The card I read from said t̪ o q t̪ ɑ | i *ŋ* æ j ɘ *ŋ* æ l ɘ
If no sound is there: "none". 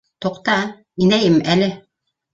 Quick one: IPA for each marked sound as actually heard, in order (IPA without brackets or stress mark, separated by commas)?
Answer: n, m